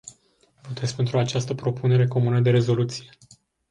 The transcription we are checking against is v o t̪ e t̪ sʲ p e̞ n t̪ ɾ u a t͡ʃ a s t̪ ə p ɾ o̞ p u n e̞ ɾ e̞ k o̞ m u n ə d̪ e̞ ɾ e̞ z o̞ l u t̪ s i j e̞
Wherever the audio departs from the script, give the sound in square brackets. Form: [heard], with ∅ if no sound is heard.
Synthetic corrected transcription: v o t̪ e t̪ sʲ p e̞ n t̪ ɾ u a t͡ʃ a s t̪ ə p ɾ o̞ p u n e̞ ɾ e̞ k o̞ m u n ə d̪ e̞ ɾ e̞ z o̞ l u t̪ s i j e̞